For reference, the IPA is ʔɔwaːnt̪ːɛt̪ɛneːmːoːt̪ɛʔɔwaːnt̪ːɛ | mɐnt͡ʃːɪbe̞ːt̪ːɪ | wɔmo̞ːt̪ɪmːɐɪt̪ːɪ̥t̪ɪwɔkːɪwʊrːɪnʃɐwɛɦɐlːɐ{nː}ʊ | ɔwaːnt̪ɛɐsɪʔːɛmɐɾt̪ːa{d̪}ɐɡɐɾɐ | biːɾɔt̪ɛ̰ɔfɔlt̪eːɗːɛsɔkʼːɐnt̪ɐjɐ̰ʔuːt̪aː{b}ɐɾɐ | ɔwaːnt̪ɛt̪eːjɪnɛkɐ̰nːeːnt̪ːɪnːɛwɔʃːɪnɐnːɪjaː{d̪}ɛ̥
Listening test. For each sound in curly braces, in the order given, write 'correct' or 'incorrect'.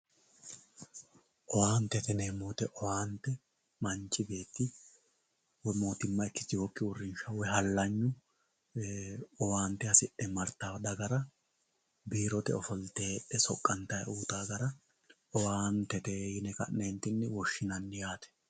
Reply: incorrect, correct, incorrect, incorrect

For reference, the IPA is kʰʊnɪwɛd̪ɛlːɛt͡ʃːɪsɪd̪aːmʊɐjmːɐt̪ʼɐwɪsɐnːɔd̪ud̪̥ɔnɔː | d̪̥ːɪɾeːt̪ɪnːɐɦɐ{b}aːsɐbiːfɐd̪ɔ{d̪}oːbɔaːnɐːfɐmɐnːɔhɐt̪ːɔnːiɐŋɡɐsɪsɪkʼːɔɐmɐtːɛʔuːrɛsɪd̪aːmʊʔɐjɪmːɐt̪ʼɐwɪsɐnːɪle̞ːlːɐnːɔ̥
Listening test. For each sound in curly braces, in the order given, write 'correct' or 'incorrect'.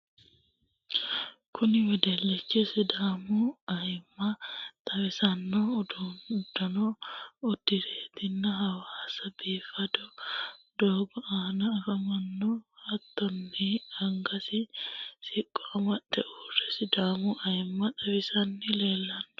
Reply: incorrect, correct

